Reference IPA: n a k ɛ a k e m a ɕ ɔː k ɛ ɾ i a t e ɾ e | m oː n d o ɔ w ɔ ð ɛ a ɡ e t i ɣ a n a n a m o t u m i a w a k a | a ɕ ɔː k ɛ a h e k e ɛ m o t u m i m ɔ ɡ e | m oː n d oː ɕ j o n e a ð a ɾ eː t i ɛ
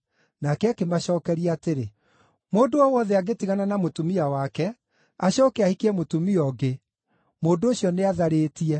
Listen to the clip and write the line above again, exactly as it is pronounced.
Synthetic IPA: n a k ɛ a k e m a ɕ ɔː k ɛ ɾ i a t e ɾ e | m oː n d o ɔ w ɔ ð ɛ a ɡ e t i ɣ a n a n a m o t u m i a w a k ɛ | a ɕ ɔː k ɛ a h i k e ɛ m o t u m i ɔ ɡ e | m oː n d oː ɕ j ɔ n e a ð a ɾ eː t i ɛ